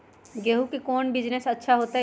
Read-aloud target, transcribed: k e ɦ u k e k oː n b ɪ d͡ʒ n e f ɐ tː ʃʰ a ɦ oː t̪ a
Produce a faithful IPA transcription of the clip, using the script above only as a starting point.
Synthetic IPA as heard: ɡ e ɦ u k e k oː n b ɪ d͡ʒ n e s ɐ tː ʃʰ a ɦ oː t̪ a